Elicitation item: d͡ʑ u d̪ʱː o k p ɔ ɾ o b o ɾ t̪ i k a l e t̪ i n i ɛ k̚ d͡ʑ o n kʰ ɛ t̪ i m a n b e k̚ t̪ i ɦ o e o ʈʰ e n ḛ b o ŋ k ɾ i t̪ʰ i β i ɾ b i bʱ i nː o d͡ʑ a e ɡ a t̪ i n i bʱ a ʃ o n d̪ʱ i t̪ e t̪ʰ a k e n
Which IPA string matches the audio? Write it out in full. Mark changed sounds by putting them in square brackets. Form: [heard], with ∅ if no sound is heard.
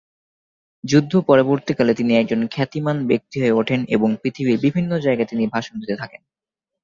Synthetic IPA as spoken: d͡ʑ u d̪ʱː o [∅] p ɔ ɾ o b o ɾ t̪ i k a l e t̪ i n i ɛ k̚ d͡ʑ o n kʰ ɛ t̪ i m a n b e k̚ t̪ i ɦ o e o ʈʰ e n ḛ b o ŋ [p] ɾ i t̪ʰ i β i ɾ b i bʱ i nː o d͡ʑ a e ɡ a t̪ i n i bʱ a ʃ o n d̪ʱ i t̪ e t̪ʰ a k e n